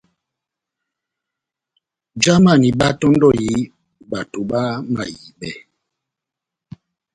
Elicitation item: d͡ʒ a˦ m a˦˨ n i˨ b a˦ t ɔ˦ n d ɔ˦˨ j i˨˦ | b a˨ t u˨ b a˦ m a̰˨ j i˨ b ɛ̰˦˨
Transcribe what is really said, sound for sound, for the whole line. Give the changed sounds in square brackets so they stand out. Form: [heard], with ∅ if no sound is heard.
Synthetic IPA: d͡ʒ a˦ m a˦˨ n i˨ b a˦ t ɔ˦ n d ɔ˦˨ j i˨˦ | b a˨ t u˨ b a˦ m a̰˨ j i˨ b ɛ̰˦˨